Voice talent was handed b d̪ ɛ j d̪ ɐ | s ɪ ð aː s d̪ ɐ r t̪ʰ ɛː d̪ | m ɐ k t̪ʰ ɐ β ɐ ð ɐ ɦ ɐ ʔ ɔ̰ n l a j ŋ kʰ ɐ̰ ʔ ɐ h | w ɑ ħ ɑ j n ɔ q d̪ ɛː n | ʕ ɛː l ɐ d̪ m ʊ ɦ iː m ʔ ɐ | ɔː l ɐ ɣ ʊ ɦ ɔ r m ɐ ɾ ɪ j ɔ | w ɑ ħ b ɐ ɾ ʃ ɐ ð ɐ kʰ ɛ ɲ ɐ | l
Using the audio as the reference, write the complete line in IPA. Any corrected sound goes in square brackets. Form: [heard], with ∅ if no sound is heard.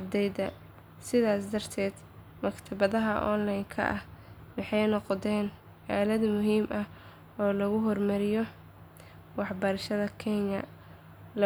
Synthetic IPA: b d̪ ɛ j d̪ ɐ | s ɪ ð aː s d̪ ɐ r t̪ʰ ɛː d̪ | m ɐ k t̪ʰ ɐ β ɐ ð ɐ ɦ ɐ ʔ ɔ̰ n l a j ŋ kʰ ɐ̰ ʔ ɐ h | w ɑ ħ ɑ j n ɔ q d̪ ɛː n | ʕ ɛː l ɐ d̪ m ʊ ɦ iː m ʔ ɐ | ɔː l ɐ ɣ ʊ ɦ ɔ r m ɐ ɾ ɪ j ɔ | w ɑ ħ b ɐ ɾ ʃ ɐ ð ɐ kʰ ɛ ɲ ɐ | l